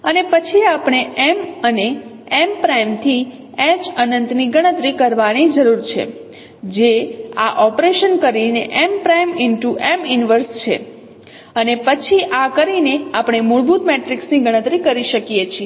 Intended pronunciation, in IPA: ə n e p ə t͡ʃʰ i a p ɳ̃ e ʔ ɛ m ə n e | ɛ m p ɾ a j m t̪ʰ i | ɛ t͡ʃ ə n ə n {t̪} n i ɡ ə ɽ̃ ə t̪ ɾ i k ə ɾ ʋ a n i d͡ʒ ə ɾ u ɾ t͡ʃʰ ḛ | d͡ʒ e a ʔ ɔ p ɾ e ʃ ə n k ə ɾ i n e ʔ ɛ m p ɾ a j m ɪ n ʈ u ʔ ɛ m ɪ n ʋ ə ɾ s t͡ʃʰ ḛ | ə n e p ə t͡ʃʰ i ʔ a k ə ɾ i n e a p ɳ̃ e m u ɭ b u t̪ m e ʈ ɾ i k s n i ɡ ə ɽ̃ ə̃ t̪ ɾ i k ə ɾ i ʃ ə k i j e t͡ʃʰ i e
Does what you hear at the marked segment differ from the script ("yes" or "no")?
no